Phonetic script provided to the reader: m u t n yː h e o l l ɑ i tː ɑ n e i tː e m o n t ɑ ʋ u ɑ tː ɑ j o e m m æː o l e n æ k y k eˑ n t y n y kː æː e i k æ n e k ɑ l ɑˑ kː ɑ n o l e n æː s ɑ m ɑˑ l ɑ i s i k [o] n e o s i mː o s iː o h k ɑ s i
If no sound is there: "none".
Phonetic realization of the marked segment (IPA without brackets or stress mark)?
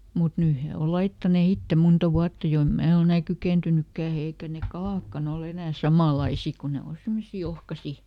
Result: u